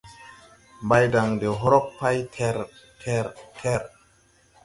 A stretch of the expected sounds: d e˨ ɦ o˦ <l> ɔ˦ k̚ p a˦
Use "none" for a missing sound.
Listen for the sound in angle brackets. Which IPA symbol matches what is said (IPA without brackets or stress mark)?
ɾ